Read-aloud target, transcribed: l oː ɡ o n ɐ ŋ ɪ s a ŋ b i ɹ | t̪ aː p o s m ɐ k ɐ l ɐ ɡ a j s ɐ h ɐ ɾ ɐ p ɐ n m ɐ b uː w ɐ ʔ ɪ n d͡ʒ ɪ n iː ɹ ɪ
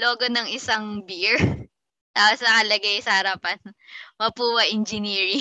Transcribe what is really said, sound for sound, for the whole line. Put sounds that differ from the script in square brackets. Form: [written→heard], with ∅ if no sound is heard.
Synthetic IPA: l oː ɡ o n ɐ ŋ ɪ s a ŋ b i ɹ | t̪ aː p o s [m→n] ɐ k ɐ l ɐ ɡ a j s ɐ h ɐ ɾ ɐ p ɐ n m ɐ [b→p] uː w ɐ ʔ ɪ n d͡ʒ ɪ n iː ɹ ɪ